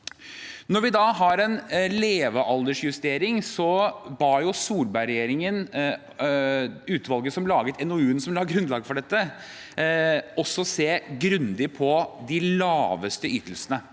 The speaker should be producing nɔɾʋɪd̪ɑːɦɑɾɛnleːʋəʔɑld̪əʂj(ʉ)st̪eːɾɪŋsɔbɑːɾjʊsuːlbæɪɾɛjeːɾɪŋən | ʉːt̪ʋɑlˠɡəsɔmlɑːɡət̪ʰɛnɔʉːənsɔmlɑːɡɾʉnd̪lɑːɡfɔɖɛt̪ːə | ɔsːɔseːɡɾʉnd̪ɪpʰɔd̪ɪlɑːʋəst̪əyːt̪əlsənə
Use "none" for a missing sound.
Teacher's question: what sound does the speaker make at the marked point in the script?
ʉ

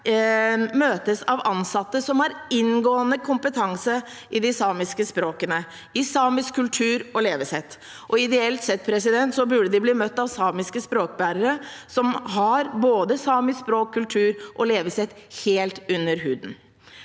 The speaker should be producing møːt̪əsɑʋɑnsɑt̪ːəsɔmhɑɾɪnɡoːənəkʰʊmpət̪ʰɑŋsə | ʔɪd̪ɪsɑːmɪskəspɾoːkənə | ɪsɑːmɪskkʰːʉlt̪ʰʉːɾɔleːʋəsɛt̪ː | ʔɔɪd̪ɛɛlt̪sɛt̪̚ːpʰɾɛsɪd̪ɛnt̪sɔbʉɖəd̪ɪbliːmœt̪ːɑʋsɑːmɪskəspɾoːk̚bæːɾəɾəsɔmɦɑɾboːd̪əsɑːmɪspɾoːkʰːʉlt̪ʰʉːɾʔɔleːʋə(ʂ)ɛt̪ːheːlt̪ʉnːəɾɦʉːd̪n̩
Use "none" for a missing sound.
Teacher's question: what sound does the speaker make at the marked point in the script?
s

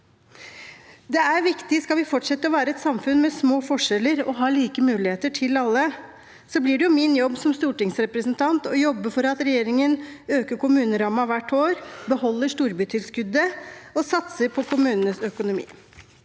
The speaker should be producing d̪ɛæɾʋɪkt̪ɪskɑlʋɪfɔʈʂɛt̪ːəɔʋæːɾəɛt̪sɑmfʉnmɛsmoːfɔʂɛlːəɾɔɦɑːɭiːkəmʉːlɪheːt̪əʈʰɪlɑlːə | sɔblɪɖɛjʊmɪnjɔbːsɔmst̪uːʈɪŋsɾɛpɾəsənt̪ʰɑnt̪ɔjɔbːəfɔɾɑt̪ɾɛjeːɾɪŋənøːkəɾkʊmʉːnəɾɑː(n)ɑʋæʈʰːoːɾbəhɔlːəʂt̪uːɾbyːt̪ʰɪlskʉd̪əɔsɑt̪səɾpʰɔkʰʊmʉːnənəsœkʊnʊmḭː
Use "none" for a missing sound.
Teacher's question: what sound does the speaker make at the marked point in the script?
m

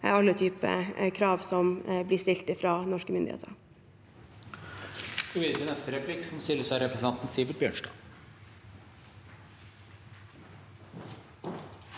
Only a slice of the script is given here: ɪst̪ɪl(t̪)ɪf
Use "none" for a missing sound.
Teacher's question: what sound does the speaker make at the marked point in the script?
t̪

